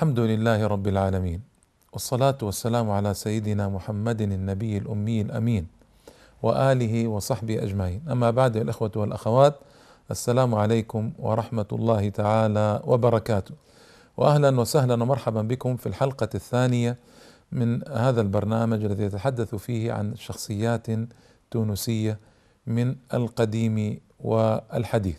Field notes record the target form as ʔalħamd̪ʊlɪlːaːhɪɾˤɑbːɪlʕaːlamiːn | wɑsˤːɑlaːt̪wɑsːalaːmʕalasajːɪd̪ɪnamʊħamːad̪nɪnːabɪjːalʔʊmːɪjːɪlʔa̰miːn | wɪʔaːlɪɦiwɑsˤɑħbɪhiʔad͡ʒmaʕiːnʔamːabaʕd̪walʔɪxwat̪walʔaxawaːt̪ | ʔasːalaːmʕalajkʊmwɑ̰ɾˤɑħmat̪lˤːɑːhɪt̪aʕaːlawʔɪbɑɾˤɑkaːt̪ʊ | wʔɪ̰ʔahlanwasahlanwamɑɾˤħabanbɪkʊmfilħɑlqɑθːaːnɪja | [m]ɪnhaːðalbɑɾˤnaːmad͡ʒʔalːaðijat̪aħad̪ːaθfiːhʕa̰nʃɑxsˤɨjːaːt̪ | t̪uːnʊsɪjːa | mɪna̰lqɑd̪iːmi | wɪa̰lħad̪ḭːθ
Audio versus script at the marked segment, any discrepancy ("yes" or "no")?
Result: no